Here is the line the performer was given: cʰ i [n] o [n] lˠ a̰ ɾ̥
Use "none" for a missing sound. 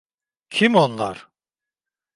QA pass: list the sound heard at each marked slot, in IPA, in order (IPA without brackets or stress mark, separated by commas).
m, n